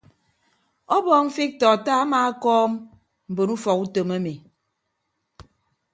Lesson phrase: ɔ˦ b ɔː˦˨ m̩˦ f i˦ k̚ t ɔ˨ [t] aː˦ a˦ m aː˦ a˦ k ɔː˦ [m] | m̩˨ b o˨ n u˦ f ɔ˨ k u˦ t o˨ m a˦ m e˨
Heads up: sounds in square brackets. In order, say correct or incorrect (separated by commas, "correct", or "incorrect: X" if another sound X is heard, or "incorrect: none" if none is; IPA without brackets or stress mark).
correct, correct